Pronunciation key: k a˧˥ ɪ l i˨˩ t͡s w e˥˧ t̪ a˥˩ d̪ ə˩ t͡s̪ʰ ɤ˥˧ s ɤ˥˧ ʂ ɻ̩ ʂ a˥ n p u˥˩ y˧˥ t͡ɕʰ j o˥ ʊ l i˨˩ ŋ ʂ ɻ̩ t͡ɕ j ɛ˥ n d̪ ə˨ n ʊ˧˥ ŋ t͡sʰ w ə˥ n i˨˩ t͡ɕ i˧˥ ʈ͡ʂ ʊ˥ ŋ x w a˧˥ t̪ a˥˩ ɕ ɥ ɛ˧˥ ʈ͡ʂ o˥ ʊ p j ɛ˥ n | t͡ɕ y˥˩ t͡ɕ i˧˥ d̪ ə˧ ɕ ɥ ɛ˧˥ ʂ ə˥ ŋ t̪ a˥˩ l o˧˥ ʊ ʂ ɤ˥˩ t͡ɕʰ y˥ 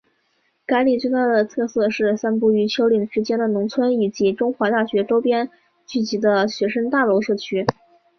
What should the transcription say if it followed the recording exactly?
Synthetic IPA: k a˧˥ ɪ l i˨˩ t͡s w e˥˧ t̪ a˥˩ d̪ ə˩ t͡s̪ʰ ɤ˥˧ s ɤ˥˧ ʂ ɻ̩ s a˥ n p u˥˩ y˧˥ t͡ɕʰ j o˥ ʊ l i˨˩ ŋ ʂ ɻ̩ t͡ɕ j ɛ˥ n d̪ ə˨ n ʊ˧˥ ŋ t͡sʰ w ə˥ n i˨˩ t͡ɕ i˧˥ ʈ͡ʂ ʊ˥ ŋ x w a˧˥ t̪ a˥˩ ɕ ɥ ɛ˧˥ ʈ͡ʂ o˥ ʊ p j ɛ˥ n | t͡ɕ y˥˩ t͡ɕ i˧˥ d̪ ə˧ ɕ ɥ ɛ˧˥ ʂ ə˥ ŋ t̪ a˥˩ l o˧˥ ʊ ʂ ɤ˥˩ t͡ɕʰ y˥